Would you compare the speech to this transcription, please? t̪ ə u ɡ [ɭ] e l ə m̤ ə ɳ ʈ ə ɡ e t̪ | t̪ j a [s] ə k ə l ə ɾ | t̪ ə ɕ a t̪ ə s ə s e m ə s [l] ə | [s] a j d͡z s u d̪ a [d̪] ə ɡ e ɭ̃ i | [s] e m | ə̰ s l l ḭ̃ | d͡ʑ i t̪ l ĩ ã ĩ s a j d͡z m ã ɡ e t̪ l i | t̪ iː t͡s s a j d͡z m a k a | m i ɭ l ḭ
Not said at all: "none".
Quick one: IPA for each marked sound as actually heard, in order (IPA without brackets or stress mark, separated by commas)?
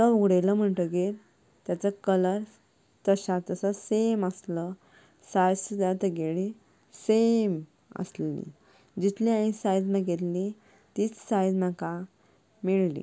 ɽ, t͡s, l, s, t̪, s